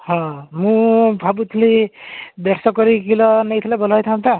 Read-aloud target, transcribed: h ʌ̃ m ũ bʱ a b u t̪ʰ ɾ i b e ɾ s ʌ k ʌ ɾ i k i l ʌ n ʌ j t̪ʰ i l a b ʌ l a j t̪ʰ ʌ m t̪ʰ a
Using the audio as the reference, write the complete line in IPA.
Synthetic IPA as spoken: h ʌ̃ m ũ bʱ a b u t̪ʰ l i b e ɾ s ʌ k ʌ ɾ i k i l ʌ n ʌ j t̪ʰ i l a b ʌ l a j t̪ʰ a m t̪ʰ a